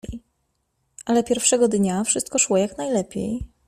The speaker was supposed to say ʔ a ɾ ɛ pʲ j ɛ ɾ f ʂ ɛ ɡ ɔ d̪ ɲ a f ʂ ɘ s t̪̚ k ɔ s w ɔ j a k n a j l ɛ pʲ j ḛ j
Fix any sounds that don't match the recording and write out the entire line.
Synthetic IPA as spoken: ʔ a l ɛ pʲ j ɛ ɾ f ʂ ɛ ɡ ɔ d̪ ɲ a f ʂ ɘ s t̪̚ k ɔ ʂ w ɔ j a k n a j l ɛ pʲ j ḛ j